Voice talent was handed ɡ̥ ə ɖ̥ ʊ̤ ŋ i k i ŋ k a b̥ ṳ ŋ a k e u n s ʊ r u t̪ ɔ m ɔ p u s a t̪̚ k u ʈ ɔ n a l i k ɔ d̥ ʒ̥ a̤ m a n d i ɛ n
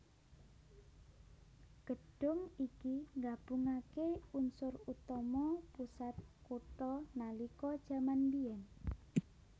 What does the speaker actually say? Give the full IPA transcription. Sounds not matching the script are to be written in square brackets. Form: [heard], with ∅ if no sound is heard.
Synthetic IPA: ɡ̥ ə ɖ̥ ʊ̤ ŋ i k i ŋ [ɡ] a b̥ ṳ ŋ a k e u n s ʊ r u t̪ ɔ m ɔ p u s a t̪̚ k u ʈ ɔ n a l i k ɔ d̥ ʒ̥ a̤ m a n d i ɛ n